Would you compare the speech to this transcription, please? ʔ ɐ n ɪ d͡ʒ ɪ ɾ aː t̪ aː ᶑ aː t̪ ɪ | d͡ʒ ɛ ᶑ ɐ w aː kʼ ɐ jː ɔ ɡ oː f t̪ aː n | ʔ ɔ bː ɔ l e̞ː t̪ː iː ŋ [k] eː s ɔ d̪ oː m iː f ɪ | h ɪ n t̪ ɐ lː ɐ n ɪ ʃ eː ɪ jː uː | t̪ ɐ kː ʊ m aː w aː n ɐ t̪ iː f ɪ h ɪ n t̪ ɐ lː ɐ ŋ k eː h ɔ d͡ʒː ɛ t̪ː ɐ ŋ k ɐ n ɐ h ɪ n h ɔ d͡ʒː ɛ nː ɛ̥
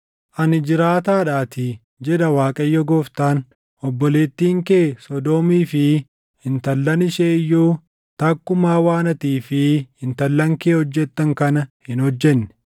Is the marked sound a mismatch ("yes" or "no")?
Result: no